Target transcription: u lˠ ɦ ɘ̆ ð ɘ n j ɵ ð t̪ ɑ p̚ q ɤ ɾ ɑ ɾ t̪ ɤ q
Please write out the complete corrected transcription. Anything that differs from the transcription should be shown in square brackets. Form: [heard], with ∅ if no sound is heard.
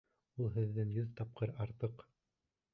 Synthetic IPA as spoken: u lˠ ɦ ɘ̆ [ðː] ɘ [ŋ] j ɵ ð t̪ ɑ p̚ q ɤ ɾ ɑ ɾ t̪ ɤ q